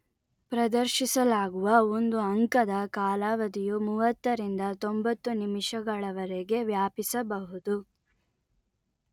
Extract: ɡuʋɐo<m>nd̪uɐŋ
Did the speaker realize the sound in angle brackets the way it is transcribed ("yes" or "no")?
no